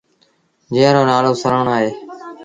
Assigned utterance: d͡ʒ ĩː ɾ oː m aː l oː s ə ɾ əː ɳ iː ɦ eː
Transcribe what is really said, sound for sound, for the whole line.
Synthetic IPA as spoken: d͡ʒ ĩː ɾ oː n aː l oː s ə ɾ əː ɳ aː ɦ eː